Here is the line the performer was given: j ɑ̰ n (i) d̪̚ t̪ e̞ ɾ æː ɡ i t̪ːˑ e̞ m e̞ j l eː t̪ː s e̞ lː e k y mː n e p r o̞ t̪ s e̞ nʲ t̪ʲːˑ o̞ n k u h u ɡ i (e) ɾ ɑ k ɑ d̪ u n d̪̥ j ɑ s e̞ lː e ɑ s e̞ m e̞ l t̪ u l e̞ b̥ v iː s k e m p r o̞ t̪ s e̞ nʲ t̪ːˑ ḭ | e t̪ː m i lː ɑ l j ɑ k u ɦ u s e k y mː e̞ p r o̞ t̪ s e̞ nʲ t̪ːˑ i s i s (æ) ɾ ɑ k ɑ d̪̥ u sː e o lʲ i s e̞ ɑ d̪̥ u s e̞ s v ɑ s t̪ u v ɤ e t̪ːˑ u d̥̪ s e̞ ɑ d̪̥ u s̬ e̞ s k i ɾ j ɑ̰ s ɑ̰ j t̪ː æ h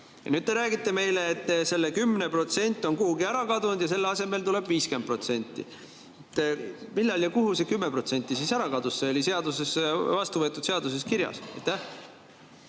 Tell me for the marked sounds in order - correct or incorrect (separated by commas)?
incorrect, incorrect, correct